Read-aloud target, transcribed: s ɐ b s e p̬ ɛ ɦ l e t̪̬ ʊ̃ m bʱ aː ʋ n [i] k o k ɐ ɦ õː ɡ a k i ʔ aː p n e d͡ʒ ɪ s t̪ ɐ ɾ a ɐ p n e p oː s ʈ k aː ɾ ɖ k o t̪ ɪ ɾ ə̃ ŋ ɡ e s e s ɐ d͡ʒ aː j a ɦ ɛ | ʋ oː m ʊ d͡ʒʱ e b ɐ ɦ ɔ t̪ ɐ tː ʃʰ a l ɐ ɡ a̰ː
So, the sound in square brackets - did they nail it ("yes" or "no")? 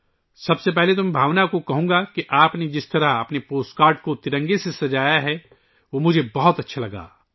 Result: no